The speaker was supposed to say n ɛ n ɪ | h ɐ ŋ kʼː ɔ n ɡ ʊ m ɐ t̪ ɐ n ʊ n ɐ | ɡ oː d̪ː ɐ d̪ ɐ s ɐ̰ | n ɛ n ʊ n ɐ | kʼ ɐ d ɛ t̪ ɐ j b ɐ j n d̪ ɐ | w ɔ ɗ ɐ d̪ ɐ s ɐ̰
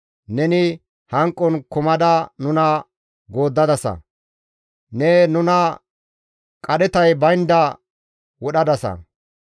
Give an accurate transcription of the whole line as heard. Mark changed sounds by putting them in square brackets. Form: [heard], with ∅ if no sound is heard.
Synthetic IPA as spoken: n ɛ n ɪ | h ɐ ŋ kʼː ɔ n [k] ʊ m ɐ [d̪] ɐ n ʊ n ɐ | ɡ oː d̪ː ɐ d̪ ɐ s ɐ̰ | n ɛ n ʊ n ɐ | kʼ ɐ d ɛ t̪ ɐ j b ɐ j n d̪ ɐ | w ɔ ɗ ɐ d̪ ɐ s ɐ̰

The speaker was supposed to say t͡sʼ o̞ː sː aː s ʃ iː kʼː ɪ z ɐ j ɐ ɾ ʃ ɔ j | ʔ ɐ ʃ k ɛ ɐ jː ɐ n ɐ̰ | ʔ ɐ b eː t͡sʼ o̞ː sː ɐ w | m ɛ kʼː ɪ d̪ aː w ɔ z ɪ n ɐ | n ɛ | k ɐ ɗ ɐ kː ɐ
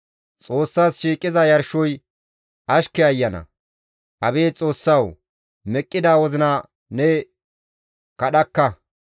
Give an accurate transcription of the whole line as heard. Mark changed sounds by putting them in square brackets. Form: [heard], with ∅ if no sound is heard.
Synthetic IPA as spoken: t͡sʼ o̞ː sː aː s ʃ iː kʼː ɪ z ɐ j ɐ ɾ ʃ ɔ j | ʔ ɐ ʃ k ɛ ɐ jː ɐ n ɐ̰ | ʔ ɐ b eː t͡sʼ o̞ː sː ɐ w | m ɛ kʼː ɪ d̪ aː w ɔ z ɪ n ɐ | n ɛ | k ɐ ɗ ɐ kː ɐ

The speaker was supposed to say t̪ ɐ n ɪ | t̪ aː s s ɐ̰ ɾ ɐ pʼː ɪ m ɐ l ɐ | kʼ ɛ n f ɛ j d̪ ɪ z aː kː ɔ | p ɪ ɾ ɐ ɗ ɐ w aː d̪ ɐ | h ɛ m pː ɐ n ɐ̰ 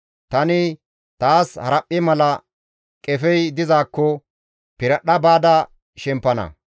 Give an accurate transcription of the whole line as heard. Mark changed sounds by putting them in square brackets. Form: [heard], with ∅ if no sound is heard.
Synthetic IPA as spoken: t̪ ɐ n ɪ | t̪ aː s [h] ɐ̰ ɾ ɐ pʼː ɪ m ɐ l ɐ | kʼ ɛ [∅] f ɛ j d̪ ɪ z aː kː ɔ | p ɪ ɾ ɐ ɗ ɐ [b] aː d̪ ɐ | [ʃ] ɛ m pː ɐ n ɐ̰

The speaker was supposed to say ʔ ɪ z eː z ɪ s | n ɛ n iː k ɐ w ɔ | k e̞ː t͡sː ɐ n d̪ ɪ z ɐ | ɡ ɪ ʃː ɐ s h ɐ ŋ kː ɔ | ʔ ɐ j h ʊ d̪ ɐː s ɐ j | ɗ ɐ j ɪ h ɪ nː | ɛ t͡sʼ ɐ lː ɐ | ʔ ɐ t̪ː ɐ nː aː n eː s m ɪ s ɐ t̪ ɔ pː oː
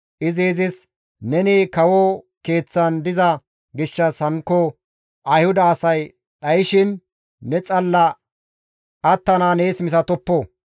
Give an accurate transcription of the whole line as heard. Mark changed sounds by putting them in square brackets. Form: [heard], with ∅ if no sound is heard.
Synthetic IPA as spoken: ʔ ɪ z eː z ɪ s | n ɛ n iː k ɐ w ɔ | k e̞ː t͡sː ɐ n d̪ ɪ z ɐ | ɡ ɪ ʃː ɐ s h ɐ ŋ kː ɔ | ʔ ɐ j h ʊ d̪ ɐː s ɐ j | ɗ ɐ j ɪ [ʃ] ɪ nː | ɛ t͡sʼ ɐ lː ɐ | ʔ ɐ t̪ː ɐ [n] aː n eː s m ɪ s ɐ t̪ ɔ pː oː

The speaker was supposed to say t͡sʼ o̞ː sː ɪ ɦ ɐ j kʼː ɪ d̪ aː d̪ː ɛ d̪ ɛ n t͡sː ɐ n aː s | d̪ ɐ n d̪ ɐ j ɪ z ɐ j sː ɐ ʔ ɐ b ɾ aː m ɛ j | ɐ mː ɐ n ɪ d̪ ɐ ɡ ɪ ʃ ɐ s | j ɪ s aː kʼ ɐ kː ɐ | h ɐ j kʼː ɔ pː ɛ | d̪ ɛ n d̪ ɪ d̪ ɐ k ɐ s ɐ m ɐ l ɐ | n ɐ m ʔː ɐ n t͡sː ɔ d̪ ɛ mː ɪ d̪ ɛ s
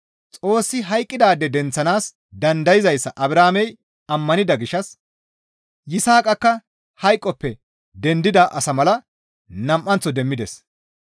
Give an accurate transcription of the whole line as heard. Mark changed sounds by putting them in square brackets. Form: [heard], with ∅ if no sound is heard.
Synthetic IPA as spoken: t͡sʼ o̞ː sː ɪ ɦ ɐ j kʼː ɪ d̪ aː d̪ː ɛ d̪ ɛ n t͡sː ɐ n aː s | d̪ ɐ n d̪ ɐ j ɪ z ɐ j sː ɐ ʔ ɐ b ɾ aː m ɛ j | ɐ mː ɐ n ɪ d̪ ɐ ɡ ɪ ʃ ɐ s | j ɪ s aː kʼ ɐ kː ɐ | h ɐ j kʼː ɔ pː ɛ | d̪ ɛ n d̪ ɪ d̪ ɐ [ʔ] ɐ s ɐ m ɐ l ɐ | n ɐ m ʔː ɐ n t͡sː ɔ d̪ ɛ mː ɪ d̪ ɛ s

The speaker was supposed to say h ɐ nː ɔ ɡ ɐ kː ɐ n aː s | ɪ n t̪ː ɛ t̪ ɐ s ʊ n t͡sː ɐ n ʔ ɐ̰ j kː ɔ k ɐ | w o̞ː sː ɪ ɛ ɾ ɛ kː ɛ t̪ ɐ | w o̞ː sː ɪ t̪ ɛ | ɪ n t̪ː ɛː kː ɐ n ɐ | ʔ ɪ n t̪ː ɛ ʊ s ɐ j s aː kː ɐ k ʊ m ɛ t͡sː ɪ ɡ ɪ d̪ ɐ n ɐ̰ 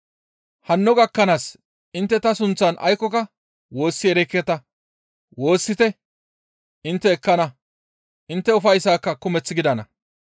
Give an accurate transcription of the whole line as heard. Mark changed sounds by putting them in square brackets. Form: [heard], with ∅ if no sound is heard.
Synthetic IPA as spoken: h ɐ nː ɔ ɡ ɐ kː ɐ n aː s | ɪ n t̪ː ɛ t̪ ɐ s ʊ n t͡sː ɐ n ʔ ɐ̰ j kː ɔ k ɐ | w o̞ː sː ɪ ɛ ɾ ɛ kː ɛ t̪ ɐ | w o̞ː sː ɪ t̪ ɛ | ɪ n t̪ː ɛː kː ɐ n ɐ | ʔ ɪ n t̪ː ɛ ʊ [f] ɐ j s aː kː ɐ k ʊ m ɛ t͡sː ɪ ɡ ɪ d̪ ɐ n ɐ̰

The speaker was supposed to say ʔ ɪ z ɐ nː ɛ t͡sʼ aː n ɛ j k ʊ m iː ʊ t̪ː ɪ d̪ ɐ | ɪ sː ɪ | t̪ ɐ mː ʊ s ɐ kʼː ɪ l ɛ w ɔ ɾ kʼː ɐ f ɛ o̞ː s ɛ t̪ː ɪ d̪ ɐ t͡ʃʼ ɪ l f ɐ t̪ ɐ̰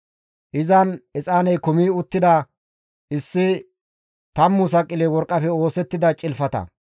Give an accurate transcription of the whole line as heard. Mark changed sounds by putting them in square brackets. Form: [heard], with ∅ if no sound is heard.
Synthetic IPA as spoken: ʔ ɪ z ɐ [n] ɛ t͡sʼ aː n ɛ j k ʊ m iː ʊ t̪ː ɪ d̪ ɐ | ɪ sː ɪ | t̪ ɐ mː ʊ s ɐ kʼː ɪ l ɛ w ɔ ɾ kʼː ɐ f ɛ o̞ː s ɛ t̪ː ɪ d̪ ɐ t͡ʃʼ ɪ l f ɐ t̪ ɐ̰

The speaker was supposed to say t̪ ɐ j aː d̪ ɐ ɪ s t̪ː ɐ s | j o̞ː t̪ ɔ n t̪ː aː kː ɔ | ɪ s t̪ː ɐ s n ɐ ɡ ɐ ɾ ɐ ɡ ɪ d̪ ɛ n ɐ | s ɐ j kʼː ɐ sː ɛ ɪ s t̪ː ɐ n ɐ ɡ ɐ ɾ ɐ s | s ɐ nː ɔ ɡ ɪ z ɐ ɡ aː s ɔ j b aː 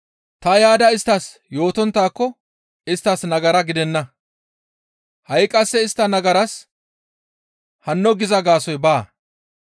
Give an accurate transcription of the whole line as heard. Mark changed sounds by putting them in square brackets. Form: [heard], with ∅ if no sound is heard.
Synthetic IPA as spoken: t̪ ɐ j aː d̪ ɐ ɪ s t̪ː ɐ s | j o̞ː t̪ ɔ n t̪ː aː kː ɔ | ɪ s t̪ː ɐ s n ɐ ɡ ɐ ɾ ɐ ɡ ɪ d̪ ɛ [nː] ɐ | [h] ɐ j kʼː ɐ sː ɛ ɪ s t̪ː ɐ n ɐ ɡ ɐ ɾ ɐ s | [h] ɐ nː ɔ ɡ ɪ z ɐ ɡ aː s ɔ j b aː

